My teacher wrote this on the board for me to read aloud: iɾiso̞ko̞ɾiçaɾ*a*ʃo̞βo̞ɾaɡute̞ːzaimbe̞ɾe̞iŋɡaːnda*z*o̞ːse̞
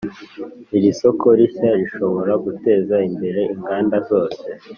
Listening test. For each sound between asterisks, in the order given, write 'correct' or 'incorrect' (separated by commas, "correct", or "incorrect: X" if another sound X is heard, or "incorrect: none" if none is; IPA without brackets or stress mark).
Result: incorrect: i, correct